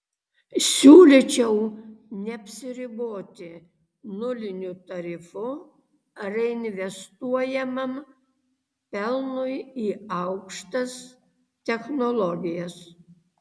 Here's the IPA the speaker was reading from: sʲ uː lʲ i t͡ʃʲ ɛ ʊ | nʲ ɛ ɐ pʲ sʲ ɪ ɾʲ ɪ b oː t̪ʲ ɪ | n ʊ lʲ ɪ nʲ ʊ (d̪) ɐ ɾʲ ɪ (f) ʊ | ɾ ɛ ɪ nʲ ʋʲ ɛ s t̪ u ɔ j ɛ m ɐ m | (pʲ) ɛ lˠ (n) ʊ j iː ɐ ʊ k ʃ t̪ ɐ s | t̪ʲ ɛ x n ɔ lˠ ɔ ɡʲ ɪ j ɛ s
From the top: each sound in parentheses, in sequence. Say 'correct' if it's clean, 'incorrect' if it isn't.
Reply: incorrect, correct, correct, correct

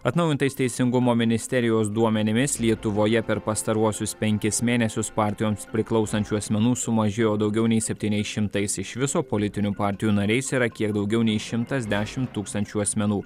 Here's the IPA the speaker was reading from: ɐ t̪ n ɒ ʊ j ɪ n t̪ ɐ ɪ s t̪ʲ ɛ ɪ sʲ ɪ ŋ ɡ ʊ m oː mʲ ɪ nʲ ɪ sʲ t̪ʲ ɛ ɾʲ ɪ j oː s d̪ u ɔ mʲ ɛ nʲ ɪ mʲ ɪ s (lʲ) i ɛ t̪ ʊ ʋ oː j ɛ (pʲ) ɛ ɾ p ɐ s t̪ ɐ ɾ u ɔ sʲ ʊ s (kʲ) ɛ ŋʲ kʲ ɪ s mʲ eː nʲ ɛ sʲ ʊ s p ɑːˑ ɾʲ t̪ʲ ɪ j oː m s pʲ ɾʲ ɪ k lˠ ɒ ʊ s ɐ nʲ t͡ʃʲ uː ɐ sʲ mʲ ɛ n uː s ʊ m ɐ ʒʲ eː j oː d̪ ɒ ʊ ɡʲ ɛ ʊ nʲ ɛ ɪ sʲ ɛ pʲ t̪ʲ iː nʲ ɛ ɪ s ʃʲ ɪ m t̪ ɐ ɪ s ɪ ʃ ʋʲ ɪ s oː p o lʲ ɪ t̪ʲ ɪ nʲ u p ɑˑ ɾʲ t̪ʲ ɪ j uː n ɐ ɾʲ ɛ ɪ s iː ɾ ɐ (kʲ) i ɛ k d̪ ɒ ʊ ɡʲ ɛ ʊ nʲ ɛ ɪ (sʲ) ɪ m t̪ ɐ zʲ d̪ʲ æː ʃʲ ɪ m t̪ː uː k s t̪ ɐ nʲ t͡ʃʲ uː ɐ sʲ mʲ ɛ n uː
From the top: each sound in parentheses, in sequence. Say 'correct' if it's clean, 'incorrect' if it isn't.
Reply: correct, correct, incorrect, correct, incorrect

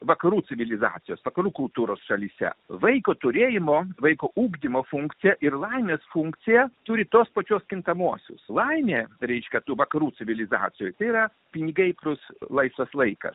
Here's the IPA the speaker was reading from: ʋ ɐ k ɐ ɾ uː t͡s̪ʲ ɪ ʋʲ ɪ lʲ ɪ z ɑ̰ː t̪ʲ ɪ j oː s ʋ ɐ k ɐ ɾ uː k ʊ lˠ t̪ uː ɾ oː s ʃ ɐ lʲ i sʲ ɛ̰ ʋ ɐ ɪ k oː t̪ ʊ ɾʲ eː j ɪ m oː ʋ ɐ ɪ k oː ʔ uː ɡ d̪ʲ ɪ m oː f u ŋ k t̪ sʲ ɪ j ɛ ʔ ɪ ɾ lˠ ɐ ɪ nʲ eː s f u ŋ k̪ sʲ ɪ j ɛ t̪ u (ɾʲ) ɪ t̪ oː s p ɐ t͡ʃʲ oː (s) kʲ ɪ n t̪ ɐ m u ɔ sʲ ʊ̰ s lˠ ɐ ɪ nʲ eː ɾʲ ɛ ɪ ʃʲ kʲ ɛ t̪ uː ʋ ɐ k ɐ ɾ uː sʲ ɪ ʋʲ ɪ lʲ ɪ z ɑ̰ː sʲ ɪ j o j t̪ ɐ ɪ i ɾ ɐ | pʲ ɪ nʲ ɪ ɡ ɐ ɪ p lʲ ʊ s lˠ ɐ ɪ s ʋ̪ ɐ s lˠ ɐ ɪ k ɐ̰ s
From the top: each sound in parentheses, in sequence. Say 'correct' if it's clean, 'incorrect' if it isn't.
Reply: correct, correct

